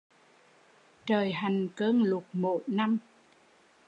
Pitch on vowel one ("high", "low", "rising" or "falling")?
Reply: low